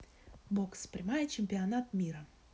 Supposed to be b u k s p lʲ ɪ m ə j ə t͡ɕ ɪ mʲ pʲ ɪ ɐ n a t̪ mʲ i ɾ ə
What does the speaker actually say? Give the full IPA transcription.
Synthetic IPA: b o k s p ɾʲ ɪ m a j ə t͡ɕ ɪ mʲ pʲ ɪ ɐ n a t̪ mʲ i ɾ ə

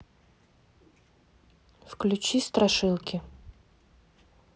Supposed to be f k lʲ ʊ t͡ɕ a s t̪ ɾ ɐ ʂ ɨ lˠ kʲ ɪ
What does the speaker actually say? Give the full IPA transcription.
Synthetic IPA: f k lʲ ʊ t͡ɕ i s t̪ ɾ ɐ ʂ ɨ lˠ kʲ ɪ

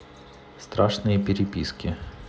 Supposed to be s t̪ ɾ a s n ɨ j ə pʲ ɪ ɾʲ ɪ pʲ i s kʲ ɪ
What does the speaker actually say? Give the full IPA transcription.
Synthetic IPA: s t̪ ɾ a ʂ n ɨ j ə pʲ ɪ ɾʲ ɪ pʲ i s kʲ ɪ

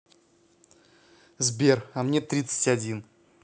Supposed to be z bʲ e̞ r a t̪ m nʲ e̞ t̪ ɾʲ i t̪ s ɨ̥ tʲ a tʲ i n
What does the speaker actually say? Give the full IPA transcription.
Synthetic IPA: z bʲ e̞ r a m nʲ e̞ t̪ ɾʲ i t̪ s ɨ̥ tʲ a dʲ i n

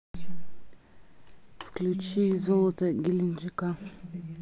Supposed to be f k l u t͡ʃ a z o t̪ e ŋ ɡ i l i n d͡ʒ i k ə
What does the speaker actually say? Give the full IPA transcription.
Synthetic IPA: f k l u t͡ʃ i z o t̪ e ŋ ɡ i l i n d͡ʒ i k a

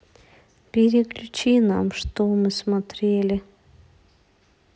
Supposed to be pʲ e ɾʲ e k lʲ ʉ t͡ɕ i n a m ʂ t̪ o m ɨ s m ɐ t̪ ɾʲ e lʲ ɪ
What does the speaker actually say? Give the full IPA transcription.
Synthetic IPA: pʲ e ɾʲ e k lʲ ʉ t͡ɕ i n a m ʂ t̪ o m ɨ s m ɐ t̪ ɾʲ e lʲ ɪ

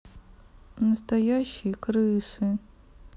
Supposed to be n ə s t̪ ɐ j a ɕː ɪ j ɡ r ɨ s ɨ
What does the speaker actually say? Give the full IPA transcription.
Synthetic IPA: n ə s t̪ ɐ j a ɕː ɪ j k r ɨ s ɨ

